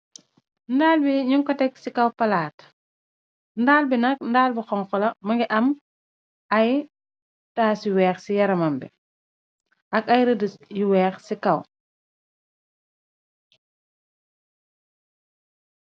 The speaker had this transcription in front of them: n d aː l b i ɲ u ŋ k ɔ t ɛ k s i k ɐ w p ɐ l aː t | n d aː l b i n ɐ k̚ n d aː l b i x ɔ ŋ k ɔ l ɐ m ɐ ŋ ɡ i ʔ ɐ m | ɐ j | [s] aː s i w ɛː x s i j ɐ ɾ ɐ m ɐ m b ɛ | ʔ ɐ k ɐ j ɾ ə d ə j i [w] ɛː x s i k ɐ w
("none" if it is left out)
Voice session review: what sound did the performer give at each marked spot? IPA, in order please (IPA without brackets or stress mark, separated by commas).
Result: t, w